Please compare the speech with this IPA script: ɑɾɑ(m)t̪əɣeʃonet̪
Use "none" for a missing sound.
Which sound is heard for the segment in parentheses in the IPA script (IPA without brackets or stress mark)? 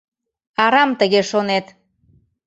m